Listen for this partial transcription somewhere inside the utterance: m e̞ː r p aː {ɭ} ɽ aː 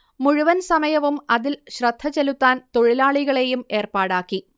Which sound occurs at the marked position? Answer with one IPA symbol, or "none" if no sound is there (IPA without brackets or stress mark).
none